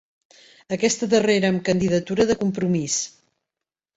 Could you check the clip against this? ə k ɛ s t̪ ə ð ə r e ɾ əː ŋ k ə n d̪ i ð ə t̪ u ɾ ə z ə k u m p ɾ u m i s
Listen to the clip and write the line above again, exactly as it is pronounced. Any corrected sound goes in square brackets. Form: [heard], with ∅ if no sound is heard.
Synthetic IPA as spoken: ə k ɛ s t̪ ə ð ə r e ɾ əː [m] k ə n d̪ i ð ə t̪ u ɾ ə [ð] ə k u m p ɾ u m i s